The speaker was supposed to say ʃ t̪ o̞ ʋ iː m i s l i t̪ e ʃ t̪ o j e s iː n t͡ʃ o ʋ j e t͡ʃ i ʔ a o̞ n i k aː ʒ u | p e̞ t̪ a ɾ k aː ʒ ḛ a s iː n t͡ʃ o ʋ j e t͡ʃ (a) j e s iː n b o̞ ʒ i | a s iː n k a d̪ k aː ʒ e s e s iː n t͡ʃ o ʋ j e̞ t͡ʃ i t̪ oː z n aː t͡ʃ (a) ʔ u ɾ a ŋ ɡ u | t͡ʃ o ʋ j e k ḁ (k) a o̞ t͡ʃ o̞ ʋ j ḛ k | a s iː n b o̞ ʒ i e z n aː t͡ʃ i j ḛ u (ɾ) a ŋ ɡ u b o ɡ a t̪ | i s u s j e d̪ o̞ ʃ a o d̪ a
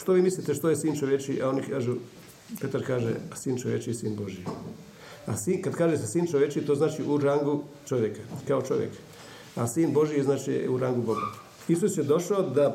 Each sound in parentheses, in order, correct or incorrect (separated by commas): incorrect, incorrect, correct, correct